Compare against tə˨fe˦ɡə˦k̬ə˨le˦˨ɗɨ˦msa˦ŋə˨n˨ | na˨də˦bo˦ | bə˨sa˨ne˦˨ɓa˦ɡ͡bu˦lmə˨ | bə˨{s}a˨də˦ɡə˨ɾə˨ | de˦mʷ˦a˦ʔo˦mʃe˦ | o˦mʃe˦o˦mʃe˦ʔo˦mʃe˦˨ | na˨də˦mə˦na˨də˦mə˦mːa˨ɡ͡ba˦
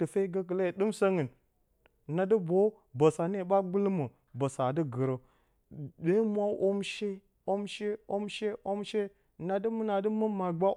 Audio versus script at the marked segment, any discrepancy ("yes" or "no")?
no